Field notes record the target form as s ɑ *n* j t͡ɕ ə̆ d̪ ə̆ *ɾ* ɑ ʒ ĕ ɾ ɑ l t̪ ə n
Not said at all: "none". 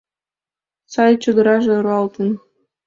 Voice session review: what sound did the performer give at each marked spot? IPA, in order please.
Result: none, ɾ

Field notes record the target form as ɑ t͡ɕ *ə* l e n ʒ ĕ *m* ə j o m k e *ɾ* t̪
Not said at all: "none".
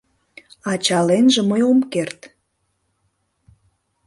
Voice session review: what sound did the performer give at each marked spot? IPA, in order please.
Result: ɑ, m, r

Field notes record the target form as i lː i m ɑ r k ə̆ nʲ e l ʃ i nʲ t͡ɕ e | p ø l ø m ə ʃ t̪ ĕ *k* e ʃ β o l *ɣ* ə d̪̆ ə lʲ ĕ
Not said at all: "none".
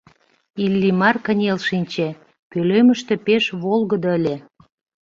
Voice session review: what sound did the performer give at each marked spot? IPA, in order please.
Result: p, ɣ

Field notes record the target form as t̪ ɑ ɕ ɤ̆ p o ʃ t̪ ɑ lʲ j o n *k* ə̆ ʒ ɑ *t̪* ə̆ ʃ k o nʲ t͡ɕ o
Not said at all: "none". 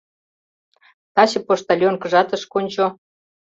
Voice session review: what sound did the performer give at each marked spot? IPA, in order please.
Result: k, t̪

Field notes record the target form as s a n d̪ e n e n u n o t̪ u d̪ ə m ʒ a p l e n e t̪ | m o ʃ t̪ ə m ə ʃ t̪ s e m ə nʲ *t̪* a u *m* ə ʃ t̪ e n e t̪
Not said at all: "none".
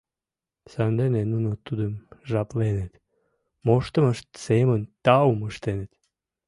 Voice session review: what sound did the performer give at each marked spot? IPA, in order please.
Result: t̪, m

